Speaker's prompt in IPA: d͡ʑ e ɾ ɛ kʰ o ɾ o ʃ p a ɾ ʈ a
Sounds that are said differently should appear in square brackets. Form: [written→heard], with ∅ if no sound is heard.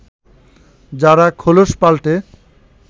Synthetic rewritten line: d͡ʑ [e→a] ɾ [ɛ→a] kʰ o [ɾ→l] o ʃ p a [ɾ→l] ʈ [a→e]